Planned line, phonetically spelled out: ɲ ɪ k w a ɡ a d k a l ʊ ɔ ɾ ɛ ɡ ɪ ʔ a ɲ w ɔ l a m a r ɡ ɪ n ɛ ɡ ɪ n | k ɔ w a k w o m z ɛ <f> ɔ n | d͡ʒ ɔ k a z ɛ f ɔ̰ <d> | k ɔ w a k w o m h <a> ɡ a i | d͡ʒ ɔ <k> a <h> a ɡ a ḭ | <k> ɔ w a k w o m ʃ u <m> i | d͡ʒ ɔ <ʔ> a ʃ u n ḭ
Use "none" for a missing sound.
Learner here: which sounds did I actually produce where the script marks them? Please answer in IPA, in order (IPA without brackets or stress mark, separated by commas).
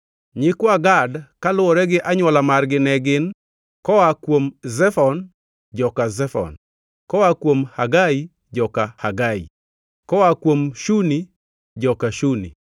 f, n, a, k, h, k, n, k